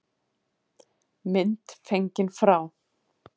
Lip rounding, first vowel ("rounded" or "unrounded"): unrounded